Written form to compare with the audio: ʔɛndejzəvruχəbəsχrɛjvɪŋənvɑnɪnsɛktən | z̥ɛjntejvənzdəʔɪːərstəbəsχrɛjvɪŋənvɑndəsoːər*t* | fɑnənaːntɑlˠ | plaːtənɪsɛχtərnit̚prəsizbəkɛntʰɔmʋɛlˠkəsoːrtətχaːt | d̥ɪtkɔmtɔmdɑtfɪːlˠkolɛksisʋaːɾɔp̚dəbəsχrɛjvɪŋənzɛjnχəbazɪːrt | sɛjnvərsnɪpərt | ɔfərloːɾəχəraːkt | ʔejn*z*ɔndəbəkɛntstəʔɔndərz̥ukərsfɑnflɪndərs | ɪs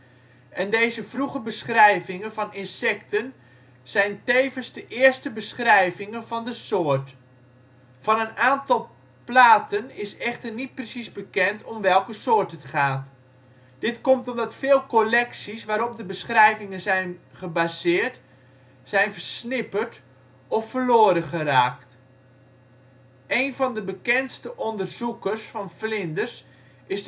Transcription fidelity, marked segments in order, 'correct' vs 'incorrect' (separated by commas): correct, incorrect